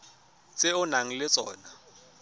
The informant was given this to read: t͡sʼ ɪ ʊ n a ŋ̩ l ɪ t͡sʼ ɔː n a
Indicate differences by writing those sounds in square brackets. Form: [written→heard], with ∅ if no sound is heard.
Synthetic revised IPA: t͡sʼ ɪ ʊ n a ŋ̩ l ɪ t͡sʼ ɔː n a